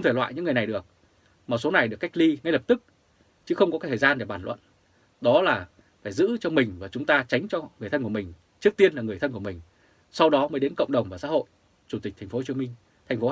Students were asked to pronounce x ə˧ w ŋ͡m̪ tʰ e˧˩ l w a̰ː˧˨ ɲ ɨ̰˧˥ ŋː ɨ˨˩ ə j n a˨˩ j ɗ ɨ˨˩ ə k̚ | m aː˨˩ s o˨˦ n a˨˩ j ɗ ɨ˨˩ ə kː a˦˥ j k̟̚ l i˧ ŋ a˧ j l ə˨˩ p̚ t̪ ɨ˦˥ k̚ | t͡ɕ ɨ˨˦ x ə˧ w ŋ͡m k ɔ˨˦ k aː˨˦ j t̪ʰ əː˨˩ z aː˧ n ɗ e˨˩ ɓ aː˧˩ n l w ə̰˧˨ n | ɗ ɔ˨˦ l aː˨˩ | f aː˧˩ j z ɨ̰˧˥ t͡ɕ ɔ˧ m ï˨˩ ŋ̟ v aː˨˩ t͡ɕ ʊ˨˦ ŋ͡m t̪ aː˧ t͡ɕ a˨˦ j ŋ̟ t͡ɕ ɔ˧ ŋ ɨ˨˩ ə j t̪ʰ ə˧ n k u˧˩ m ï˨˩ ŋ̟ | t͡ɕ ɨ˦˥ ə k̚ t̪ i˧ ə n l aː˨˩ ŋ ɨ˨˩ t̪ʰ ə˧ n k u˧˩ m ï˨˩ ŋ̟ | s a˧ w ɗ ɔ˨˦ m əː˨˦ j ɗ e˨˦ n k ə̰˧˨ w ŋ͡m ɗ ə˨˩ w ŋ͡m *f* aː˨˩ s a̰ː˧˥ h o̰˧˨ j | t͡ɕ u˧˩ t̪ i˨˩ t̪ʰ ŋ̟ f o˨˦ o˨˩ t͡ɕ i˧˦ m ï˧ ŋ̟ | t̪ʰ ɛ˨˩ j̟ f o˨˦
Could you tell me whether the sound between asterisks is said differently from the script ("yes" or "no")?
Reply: yes